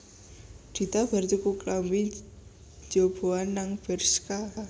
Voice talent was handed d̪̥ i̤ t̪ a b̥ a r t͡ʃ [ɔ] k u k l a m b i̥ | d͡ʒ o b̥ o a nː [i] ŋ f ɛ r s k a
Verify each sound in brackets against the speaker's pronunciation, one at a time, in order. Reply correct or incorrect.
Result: incorrect: u, incorrect: a

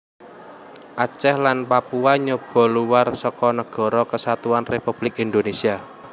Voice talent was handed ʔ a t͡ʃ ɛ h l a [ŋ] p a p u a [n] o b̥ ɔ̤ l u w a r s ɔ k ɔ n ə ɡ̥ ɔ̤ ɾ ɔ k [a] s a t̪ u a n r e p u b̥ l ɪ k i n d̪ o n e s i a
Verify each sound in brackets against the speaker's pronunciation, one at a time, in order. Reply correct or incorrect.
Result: incorrect: n, incorrect: ɲ, incorrect: ə

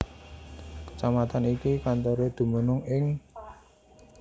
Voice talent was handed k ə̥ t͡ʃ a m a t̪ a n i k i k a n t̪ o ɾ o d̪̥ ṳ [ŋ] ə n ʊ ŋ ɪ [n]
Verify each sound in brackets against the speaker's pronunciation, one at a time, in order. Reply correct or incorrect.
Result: incorrect: m, incorrect: ŋ

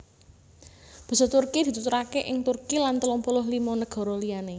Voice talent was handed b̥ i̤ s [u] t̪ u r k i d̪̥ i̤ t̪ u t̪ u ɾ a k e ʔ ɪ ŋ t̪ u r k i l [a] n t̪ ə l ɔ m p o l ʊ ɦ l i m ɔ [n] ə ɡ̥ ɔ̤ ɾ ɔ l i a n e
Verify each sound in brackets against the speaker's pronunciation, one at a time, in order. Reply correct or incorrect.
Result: incorrect: ɔ, correct, correct

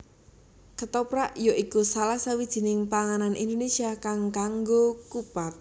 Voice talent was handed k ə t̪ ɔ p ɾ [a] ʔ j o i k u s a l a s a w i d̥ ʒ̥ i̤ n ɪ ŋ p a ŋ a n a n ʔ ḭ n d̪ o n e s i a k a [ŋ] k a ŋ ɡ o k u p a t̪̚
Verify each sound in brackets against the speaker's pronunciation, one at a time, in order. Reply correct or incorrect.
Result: correct, correct

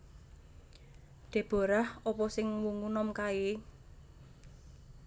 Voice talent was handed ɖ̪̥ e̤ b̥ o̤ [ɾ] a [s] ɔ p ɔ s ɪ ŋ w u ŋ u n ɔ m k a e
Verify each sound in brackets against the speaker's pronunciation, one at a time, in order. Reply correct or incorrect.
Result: correct, incorrect: h

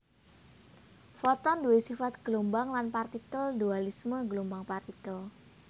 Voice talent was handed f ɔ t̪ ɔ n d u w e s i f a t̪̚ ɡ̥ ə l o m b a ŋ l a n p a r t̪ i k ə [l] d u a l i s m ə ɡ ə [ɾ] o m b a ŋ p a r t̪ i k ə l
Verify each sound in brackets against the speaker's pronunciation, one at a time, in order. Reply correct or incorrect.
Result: correct, incorrect: l

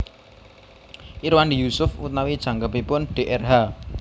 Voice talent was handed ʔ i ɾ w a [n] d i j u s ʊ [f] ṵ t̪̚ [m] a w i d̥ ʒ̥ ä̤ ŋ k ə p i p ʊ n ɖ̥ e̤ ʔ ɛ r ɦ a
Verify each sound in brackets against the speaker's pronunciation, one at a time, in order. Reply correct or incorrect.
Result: correct, correct, incorrect: n

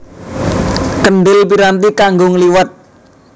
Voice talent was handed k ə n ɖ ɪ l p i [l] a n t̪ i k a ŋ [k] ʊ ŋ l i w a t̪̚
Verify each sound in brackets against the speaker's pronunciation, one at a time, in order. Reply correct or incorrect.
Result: incorrect: ɾ, incorrect: ɡ

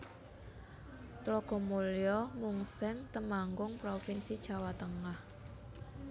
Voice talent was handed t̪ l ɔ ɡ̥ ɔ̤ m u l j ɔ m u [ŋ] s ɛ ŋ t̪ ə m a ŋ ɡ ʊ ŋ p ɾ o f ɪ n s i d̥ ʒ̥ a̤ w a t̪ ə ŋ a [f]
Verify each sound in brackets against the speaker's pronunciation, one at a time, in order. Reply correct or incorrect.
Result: correct, incorrect: h

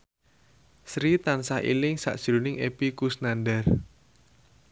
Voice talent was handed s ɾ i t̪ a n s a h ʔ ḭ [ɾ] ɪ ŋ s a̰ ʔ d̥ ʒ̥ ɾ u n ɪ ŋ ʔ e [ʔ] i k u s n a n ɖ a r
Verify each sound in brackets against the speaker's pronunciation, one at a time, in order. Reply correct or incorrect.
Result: incorrect: l, incorrect: p

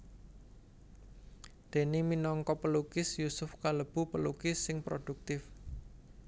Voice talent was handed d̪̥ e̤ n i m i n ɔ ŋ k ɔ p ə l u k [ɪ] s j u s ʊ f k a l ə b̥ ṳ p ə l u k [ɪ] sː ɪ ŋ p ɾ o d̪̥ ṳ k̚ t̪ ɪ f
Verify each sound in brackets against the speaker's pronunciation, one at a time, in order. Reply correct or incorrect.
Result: correct, correct

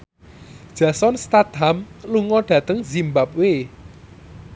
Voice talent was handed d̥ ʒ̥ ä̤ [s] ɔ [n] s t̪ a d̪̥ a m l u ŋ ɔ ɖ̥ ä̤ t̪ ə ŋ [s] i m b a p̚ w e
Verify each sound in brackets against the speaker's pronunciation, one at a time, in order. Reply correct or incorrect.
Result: correct, correct, incorrect: z

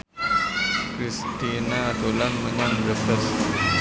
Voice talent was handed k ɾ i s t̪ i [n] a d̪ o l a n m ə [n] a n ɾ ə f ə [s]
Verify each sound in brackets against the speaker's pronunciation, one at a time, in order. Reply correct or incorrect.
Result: correct, incorrect: ɲ, correct

